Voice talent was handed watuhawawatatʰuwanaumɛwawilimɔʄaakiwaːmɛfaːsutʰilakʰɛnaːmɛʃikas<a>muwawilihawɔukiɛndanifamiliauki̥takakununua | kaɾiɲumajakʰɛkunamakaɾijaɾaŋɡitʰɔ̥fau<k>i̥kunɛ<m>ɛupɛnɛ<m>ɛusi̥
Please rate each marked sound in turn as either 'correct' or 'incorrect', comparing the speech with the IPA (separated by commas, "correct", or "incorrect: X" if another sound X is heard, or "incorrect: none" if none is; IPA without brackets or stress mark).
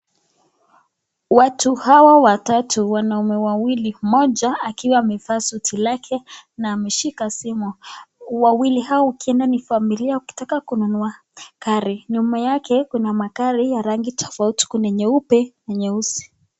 incorrect: i, incorrect: t, incorrect: ɲ, incorrect: ɲ